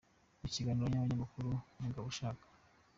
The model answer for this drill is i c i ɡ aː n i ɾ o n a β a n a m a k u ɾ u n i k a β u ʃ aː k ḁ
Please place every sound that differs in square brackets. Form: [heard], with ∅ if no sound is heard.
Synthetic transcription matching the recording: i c i ɡ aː n i ɾ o [ɲ] a β a [ɲ] a m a k u ɾ u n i [ɡ] a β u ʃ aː k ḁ